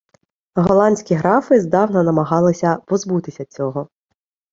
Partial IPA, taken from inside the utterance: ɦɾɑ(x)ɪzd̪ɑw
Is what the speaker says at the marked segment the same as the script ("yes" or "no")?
no